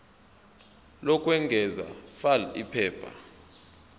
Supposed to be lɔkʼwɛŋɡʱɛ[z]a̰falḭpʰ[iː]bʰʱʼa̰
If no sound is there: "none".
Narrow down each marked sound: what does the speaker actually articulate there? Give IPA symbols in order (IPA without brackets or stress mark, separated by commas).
z, ɛː